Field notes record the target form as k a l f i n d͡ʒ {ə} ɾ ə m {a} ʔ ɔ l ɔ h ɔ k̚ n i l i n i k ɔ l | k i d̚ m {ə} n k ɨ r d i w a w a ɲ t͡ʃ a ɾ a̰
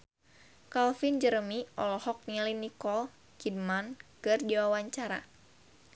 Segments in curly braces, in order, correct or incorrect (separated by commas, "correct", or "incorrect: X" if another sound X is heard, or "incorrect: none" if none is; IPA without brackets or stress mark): correct, incorrect: i, incorrect: a